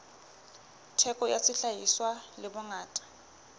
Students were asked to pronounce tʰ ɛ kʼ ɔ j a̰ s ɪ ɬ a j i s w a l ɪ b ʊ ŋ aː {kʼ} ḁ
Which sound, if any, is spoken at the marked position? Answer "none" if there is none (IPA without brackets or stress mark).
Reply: tʼ